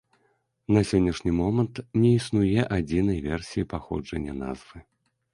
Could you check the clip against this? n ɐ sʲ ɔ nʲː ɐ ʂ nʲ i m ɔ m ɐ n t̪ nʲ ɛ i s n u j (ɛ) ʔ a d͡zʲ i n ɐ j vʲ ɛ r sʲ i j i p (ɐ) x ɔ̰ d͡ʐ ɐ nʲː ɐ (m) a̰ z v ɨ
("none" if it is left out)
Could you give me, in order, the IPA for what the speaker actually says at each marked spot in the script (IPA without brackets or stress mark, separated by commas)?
ɛ, a, n